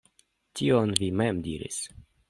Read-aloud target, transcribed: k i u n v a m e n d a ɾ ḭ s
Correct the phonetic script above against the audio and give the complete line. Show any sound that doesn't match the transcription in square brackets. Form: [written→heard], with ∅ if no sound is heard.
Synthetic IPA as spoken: [k→t] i [u→o] n v [a→i] m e [n→m] d [a→i] ɾ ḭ s